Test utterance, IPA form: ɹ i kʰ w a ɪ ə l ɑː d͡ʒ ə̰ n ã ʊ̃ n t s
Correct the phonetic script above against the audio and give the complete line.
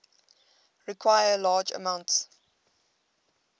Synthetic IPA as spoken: ɹ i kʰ w a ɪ ə l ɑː d͡ʒ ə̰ m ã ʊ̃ n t s